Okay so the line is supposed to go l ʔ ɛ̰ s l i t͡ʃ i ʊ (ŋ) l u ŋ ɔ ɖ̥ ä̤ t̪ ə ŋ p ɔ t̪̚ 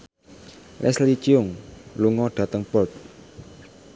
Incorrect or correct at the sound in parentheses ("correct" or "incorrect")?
correct